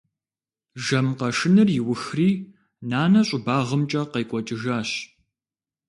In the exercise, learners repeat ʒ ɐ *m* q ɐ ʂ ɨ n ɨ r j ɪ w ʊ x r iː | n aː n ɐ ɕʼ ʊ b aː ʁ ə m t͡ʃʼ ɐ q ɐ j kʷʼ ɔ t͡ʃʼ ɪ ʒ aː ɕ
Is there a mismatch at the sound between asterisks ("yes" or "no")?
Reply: no